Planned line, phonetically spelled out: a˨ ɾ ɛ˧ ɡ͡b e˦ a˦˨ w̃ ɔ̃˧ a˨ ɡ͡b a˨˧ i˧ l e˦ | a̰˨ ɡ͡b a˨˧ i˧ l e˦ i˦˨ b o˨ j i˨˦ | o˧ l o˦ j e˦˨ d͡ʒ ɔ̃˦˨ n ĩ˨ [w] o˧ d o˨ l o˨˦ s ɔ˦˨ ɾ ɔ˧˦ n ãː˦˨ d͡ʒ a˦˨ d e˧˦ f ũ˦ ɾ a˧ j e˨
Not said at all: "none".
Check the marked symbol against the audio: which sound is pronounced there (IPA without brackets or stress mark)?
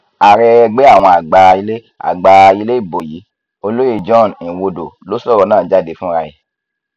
w